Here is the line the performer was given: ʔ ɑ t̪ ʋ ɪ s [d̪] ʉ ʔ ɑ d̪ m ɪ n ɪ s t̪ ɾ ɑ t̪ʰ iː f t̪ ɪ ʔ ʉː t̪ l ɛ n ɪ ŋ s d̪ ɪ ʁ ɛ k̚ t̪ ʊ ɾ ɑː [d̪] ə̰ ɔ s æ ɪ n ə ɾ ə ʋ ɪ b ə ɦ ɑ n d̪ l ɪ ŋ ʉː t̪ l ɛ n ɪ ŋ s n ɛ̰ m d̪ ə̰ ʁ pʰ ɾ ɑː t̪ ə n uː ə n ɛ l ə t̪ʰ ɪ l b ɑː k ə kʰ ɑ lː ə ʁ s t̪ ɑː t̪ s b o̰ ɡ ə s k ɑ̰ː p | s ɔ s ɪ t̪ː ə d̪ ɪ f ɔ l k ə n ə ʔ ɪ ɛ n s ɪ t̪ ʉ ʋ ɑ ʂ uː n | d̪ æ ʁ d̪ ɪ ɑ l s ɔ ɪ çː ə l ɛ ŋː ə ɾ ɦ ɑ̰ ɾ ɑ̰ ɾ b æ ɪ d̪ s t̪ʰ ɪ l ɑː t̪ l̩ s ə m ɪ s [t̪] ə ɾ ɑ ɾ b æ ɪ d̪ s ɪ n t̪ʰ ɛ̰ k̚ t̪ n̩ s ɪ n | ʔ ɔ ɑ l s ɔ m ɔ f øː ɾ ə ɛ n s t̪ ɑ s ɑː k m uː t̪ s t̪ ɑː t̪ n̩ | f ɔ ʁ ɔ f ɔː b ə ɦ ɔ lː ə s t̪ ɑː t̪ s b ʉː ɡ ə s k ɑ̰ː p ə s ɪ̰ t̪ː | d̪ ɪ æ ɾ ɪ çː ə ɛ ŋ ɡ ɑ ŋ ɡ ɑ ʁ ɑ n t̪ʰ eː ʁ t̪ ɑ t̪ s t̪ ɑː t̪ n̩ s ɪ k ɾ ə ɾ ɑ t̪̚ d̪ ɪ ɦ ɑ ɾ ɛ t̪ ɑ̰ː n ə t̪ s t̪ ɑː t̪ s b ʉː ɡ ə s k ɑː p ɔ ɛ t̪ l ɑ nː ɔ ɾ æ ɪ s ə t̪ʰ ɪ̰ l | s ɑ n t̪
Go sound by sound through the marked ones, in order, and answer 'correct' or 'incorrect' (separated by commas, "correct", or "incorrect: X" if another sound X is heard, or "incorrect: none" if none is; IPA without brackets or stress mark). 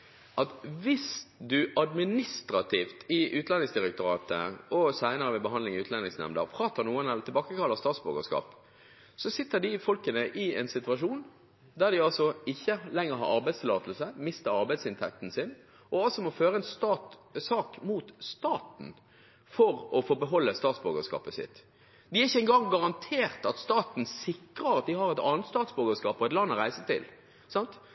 correct, incorrect: t̪, correct